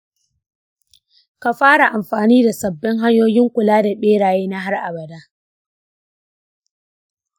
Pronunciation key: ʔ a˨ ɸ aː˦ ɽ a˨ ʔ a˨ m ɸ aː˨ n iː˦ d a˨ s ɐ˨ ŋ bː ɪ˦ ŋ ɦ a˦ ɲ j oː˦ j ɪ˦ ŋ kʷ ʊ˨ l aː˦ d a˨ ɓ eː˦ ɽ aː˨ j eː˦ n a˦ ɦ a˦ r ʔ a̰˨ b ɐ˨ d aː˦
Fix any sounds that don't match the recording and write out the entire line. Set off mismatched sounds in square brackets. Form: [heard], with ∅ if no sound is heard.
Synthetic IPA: [k] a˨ ɸ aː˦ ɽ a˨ ʔ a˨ m ɸ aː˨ n iː˦ d a˨ s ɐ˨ [∅] bː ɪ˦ ŋ ɦ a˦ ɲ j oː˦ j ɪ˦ ŋ kʷ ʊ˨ l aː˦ d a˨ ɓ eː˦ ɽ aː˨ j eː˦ n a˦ ɦ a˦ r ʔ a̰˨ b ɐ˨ d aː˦